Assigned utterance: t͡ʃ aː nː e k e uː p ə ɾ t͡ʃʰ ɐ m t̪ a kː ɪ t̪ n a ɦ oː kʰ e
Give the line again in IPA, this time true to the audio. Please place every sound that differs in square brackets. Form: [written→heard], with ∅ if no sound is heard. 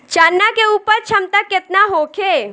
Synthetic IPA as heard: t͡ʃ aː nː [e→a] k e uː p ə ɾ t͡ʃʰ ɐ m t̪ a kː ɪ t̪ n a ɦ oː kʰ e